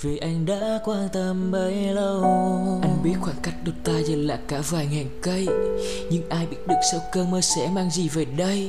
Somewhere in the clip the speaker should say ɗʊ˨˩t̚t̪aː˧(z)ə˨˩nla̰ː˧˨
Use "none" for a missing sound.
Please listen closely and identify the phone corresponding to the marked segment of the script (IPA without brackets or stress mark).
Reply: z